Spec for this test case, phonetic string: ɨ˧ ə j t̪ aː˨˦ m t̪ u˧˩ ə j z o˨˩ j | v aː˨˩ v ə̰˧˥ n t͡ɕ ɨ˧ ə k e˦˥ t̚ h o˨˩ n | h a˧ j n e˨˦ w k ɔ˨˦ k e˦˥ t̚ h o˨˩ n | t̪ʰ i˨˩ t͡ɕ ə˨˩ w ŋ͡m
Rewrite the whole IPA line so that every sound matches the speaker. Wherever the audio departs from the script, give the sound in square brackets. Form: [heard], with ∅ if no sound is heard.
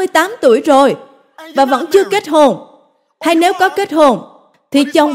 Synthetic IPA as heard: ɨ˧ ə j t̪ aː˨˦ m t̪ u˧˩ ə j z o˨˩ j | v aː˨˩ v ə̰˧˥ n t͡ɕ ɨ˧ ə k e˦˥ t̚ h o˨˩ n | h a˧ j n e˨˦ w k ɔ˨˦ k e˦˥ t̚ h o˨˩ n | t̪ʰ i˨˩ t͡ɕ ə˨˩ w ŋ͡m